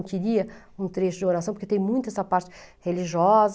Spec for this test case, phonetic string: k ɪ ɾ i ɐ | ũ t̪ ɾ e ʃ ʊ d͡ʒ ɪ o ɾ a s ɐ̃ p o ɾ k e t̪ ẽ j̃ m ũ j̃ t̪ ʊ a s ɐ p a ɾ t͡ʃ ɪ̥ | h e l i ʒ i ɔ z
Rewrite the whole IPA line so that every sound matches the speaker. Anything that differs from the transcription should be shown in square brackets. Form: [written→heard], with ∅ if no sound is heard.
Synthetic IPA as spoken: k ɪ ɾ i ɐ | ũ t̪ ɾ e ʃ ʊ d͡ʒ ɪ o ɾ a s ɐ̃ p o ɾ k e t̪ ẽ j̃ m ũ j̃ t̪ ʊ [a→ɛ] s ɐ p a ɾ t͡ʃ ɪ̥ | h e l i ʒ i ɔ z